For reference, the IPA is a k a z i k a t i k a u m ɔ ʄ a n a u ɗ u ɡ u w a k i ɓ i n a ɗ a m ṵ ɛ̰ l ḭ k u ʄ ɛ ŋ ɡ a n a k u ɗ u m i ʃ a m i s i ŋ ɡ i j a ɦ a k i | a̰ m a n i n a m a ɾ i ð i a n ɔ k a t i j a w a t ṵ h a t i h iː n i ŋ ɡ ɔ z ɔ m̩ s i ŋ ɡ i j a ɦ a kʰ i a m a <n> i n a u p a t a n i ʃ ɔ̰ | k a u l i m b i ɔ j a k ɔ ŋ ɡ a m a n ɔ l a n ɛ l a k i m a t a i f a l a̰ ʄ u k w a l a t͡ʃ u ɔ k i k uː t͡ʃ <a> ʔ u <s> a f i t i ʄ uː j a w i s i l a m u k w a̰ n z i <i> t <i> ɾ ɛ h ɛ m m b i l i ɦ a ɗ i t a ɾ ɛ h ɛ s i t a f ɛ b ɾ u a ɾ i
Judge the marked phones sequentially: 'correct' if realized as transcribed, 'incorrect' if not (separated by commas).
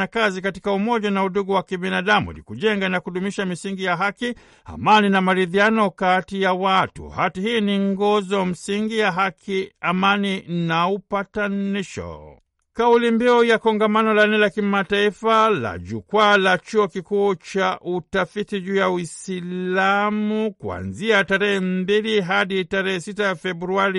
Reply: correct, correct, incorrect, incorrect, incorrect